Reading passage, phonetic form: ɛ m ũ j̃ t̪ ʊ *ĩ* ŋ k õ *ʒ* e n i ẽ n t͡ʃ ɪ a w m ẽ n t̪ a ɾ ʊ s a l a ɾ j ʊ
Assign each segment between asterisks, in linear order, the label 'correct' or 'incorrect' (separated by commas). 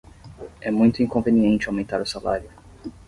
correct, incorrect